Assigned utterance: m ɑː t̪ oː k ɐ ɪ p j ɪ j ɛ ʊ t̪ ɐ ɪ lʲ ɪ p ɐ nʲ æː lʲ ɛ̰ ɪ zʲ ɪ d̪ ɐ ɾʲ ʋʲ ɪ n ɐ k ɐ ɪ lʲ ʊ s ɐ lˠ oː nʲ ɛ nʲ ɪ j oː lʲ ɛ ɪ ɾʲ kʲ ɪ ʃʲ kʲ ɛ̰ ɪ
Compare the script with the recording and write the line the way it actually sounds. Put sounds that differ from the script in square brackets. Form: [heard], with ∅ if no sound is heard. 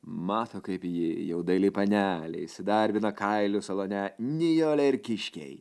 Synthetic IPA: m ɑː t̪ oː k ɐ ɪ p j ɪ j ɛ ʊ [d̪] ɐ ɪ lʲ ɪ p ɐ nʲ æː lʲ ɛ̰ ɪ [sʲ] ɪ d̪ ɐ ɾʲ ʋʲ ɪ n ɐ k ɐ ɪ lʲ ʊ s ɐ lˠ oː nʲ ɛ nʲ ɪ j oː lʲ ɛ ɪ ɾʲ kʲ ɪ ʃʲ kʲ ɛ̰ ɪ